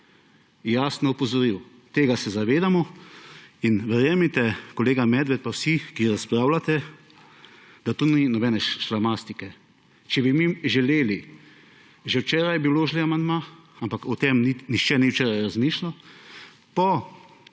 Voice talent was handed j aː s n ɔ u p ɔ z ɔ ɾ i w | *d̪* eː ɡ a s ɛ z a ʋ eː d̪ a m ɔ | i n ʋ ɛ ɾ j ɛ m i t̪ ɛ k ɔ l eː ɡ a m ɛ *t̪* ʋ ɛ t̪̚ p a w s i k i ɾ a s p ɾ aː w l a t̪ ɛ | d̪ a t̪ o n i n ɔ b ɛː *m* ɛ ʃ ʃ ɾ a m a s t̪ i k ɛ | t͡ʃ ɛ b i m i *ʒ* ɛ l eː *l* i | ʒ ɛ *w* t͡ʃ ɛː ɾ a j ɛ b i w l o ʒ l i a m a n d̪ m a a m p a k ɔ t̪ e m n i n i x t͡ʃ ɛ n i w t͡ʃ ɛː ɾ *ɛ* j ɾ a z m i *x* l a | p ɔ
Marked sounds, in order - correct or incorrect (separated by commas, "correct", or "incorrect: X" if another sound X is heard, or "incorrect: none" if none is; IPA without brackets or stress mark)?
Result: incorrect: t̪, incorrect: d̪, incorrect: n, correct, correct, correct, incorrect: a, incorrect: ʃ